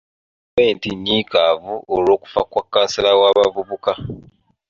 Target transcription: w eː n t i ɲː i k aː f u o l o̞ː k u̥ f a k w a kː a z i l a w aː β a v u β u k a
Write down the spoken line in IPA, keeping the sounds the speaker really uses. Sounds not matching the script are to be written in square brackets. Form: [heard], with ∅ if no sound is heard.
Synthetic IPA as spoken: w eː n t i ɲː i k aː [v] u o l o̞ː k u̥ f a k w a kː a [s] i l a w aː β a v u β u k a